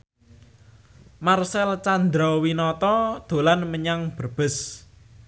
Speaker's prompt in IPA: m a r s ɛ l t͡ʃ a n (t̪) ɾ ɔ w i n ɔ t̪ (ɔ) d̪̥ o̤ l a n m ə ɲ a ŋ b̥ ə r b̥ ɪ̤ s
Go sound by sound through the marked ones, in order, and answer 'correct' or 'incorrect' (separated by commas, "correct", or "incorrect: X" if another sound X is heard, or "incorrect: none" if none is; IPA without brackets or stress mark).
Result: incorrect: d̪, correct